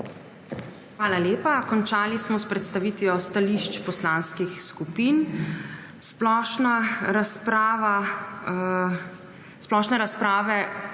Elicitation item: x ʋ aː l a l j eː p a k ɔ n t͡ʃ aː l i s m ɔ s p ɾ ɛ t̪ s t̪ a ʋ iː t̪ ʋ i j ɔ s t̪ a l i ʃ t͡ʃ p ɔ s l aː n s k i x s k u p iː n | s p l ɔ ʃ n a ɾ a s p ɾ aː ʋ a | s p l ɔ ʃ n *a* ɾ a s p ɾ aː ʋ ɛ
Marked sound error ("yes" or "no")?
yes